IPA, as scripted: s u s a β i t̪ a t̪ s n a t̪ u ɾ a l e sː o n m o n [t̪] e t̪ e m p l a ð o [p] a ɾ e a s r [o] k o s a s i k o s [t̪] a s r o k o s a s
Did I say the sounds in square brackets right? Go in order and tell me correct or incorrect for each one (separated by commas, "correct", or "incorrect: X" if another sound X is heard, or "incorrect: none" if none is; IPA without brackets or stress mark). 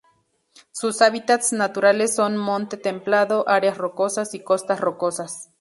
correct, incorrect: ʔ, correct, correct